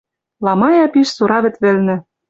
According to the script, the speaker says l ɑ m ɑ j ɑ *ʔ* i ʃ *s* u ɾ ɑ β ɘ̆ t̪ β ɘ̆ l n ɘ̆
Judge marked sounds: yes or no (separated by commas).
no, yes